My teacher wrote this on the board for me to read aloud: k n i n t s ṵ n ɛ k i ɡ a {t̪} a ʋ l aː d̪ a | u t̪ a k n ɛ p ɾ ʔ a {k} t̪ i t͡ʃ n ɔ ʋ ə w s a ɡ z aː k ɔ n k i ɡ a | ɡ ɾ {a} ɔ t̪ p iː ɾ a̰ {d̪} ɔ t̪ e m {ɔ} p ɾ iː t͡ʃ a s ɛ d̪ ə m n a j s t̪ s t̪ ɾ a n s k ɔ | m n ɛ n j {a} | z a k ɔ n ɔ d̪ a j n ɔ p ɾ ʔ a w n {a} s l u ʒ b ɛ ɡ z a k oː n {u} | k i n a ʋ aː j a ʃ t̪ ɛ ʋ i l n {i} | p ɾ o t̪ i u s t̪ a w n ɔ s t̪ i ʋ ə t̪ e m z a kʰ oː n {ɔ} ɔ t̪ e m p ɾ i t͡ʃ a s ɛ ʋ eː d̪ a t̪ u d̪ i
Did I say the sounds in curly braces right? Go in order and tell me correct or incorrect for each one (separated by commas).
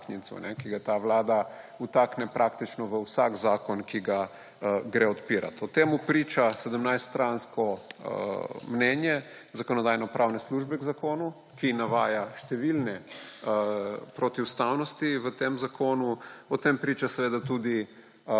correct, correct, incorrect, incorrect, incorrect, incorrect, incorrect, correct, incorrect, incorrect